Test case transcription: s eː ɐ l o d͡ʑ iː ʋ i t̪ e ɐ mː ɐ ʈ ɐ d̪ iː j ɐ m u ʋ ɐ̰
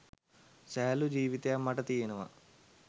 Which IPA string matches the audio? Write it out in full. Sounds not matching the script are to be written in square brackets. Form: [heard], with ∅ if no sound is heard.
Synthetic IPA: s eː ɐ l [u] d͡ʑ iː ʋ i t̪ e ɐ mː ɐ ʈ ɐ [t̪] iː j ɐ [n] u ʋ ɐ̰

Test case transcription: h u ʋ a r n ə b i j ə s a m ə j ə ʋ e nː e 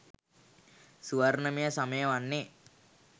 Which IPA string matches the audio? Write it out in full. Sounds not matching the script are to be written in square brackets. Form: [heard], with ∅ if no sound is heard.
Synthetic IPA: [s] u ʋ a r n ə [m] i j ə s a m ə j ə ʋ [a] nː e

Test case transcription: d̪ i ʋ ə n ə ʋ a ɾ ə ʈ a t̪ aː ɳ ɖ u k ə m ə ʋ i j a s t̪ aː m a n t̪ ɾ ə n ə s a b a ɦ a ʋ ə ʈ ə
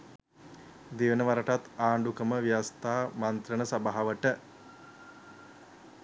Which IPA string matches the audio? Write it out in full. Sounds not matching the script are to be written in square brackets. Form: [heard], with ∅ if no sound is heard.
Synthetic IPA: d̪ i ʋ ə n ə ʋ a ɾ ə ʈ a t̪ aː ɳ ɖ u k ə m ə ʋ i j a s t̪ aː m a n t̪ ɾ ə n ə s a b a ɦ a ʋ ə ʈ ə

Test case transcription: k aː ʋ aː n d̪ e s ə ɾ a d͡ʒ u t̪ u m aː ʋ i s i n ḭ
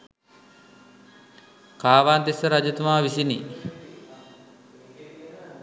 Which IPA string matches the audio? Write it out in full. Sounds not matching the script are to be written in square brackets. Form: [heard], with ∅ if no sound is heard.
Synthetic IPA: k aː ʋ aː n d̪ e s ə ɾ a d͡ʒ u t̪ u m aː ʋ i s i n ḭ

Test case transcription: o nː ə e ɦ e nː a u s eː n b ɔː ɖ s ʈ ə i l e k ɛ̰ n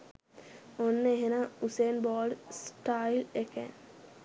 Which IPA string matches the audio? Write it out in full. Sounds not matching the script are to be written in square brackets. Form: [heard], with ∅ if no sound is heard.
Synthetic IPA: o nː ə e ɦ e [n] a u s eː n b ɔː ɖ s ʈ [a] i l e k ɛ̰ n

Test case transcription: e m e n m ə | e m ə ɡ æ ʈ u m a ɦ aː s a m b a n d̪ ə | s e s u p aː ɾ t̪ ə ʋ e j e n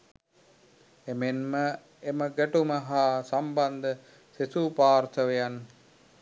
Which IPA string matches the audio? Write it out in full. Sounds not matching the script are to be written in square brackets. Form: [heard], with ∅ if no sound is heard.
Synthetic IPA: e m e n m ə | e m ə ɡ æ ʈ u m [ə] ɦ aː s a m b a n d̪ ə | s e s u p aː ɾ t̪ ə ʋ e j [a] n

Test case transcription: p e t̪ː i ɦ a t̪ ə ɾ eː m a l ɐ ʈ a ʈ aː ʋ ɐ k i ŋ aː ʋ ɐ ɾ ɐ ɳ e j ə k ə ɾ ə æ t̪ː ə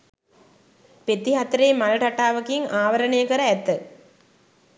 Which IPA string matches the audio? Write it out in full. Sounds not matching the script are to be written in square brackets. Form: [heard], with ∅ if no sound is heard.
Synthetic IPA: p e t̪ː i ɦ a t̪ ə ɾ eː m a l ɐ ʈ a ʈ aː ʋ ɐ k i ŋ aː ʋ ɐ ɾ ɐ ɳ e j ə k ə ɾ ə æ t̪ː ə

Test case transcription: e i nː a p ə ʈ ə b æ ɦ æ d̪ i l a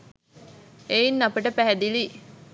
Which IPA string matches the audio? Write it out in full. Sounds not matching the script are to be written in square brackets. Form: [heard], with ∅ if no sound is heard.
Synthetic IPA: e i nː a p ə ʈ ə [p] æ ɦ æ d̪ i l [i]

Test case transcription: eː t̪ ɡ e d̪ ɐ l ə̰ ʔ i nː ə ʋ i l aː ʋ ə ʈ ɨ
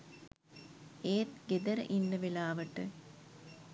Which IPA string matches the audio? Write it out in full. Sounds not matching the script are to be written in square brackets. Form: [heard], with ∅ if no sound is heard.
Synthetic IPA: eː t̪ ɡ e d̪ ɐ [ɾ] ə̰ ʔ i nː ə ʋ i l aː ʋ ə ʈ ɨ

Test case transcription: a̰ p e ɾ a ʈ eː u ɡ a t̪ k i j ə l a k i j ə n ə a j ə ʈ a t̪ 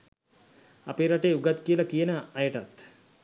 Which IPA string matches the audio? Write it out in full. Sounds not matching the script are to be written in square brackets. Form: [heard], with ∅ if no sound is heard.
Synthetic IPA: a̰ p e ɾ a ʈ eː u ɡ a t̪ k i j ə l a k i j ə n ə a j ə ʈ a t̪

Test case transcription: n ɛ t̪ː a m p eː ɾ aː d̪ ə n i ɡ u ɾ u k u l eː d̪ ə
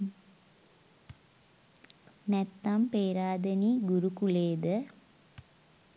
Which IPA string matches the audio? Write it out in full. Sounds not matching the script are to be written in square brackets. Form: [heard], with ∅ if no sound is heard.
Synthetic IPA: n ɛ t̪ː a m p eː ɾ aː d̪ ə n i ɡ u ɾ u k u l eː d̪ ə

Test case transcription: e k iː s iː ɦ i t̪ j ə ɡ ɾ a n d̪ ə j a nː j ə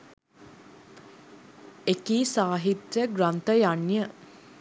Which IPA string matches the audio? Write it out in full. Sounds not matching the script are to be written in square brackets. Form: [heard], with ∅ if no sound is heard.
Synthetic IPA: e k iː s [aː] ɦ i t̪ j ə ɡ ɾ a n [t̪] ə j a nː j ə

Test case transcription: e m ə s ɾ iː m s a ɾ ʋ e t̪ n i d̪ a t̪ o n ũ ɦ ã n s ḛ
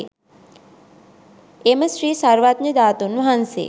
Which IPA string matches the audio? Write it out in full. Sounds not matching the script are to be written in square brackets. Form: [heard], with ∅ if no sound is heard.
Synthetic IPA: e m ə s ɾ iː [∅] s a ɾ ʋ [a] t̪ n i d̪ a t̪ o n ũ ɦ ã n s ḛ

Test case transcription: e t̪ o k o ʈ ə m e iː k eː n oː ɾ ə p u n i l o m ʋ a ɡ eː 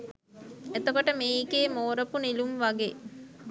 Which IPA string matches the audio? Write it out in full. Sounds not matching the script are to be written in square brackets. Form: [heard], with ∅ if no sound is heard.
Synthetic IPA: e t̪ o k o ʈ ə m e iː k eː [m] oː ɾ ə p u n i l [u] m ʋ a ɡ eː

